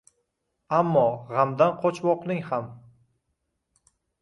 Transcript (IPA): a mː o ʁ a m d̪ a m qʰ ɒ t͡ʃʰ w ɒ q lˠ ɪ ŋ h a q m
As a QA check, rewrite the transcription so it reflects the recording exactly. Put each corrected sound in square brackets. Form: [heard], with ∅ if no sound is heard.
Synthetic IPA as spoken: a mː [ɒ] ʁ a m d̪ a [n] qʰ ɒ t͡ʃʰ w ɒ q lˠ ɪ ŋ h a [∅] m